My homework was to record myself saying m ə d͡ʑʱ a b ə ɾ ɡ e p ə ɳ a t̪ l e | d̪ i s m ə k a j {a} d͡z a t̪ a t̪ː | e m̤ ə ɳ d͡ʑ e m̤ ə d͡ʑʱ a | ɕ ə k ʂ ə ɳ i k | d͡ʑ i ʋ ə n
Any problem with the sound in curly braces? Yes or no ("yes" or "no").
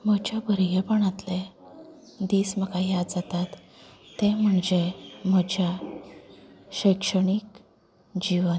no